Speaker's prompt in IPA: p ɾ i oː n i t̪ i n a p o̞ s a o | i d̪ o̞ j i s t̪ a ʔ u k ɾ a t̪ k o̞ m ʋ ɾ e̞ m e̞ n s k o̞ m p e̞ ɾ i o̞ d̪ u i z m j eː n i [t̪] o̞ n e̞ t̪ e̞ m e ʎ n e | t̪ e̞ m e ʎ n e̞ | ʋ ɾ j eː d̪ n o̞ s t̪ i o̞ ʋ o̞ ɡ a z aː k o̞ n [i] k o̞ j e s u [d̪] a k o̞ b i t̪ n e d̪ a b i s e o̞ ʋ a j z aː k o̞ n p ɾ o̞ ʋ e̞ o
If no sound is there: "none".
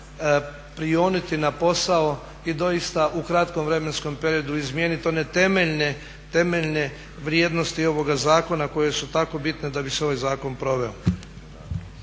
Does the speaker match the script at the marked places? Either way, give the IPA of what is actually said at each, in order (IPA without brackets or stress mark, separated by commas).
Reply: t̪, a, t̪